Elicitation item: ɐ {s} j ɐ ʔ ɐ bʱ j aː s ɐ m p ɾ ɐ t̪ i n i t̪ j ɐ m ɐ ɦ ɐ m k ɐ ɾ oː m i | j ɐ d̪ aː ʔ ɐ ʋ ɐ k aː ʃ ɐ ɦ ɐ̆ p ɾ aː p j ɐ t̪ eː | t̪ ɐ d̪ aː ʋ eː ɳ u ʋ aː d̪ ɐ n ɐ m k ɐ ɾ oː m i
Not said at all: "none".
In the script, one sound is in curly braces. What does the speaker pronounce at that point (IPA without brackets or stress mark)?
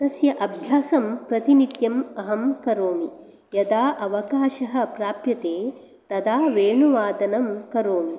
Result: s